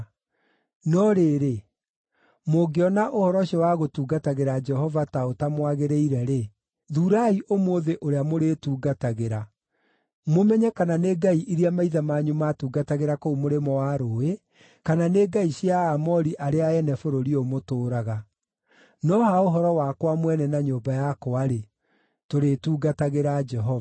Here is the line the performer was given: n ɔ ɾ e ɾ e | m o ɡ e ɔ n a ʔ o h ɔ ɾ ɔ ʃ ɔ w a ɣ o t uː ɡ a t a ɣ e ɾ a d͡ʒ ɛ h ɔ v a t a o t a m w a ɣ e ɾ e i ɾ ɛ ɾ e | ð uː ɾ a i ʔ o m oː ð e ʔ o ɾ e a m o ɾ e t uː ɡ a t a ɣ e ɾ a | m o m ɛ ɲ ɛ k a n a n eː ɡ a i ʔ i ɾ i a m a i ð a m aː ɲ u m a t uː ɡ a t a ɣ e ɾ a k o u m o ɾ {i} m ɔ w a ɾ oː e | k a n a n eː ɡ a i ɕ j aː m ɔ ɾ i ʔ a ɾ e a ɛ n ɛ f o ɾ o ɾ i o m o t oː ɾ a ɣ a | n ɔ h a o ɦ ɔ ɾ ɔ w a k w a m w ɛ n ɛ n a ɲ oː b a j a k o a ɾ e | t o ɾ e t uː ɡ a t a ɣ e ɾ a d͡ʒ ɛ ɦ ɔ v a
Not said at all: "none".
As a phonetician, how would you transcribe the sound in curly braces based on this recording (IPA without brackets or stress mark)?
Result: e